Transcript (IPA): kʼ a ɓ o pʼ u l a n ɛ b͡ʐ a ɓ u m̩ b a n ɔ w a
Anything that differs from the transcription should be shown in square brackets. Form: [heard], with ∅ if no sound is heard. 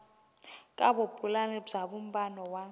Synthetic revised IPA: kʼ a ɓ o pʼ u l a n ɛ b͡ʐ a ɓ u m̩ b a n ɔ w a